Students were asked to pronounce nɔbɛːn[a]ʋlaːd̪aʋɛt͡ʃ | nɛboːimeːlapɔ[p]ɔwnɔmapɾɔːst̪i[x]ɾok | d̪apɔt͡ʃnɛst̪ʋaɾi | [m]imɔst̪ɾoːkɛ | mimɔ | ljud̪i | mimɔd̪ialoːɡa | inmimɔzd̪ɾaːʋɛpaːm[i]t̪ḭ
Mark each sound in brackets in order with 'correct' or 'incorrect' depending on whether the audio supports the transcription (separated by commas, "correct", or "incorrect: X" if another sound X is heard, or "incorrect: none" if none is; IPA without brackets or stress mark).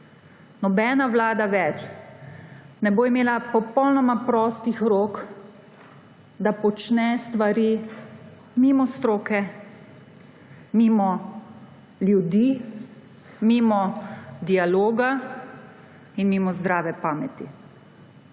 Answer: correct, correct, correct, correct, incorrect: ɛ